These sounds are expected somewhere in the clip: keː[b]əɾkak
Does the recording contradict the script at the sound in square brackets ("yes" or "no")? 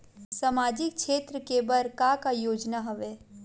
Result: no